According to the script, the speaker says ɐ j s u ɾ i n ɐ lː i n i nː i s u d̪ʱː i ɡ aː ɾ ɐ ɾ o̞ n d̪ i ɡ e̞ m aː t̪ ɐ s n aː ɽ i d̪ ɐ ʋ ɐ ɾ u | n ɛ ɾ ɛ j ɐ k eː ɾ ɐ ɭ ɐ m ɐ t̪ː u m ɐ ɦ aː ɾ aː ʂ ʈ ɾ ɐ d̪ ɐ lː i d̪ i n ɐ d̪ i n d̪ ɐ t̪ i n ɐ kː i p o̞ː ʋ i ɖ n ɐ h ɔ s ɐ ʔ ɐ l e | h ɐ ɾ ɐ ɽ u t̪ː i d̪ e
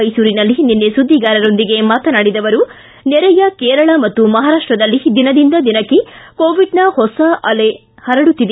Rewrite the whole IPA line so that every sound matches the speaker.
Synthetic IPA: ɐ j s uː ɾ i n ɐ lː i n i nː e s u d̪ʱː i ɡ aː ɾ ɐ ɾ o̞ n d̪ i ɡ e̞ m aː t̪ ɐ n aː ɽ i d̪ ɐ ʋ ɐ ɾ u | n ɛ ɾ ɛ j ɐ k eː ɾ ɐ ɭ ɐ m ɐ t̪ː u m ɐ ɦ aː ɾ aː ʂ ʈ ɾ ɐ d̪ ɐ lː i d̪ i n ɐ d̪ i n d̪ ɐ d̪ i n ɐ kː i k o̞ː ʋ i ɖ n ɐ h ɔ s ɐ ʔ ɐ l e | h ɐ ɾ ɐ ɽ u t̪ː i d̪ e